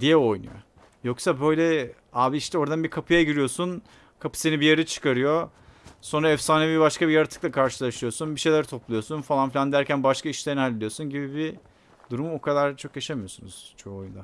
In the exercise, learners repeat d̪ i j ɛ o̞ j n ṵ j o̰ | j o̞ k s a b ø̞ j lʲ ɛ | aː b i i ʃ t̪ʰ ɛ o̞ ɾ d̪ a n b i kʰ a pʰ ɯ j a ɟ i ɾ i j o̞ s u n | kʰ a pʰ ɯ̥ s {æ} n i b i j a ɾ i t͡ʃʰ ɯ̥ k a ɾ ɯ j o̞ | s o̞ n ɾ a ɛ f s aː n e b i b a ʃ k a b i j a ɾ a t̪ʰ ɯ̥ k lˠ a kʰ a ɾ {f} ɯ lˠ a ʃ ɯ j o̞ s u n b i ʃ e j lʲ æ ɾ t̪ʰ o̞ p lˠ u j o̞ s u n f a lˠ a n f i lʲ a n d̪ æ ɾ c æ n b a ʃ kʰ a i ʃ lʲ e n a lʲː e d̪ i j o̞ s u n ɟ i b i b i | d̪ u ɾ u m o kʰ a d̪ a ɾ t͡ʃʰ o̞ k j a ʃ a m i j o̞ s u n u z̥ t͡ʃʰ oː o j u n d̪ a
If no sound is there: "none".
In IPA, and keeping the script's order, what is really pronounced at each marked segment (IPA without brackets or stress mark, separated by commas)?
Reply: e, ʃ